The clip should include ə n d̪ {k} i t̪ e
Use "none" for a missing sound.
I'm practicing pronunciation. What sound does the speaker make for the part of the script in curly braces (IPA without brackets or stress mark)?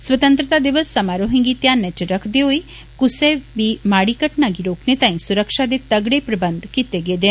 k